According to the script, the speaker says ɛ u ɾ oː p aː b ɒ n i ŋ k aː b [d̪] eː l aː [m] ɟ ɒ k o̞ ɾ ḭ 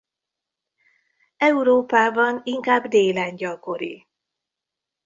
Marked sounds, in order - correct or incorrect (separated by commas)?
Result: correct, incorrect